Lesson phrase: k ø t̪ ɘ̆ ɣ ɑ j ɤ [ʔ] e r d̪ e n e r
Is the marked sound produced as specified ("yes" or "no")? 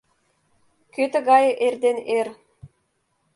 yes